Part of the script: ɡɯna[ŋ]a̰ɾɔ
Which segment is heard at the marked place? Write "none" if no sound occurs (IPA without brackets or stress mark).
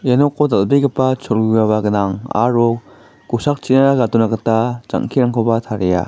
ŋ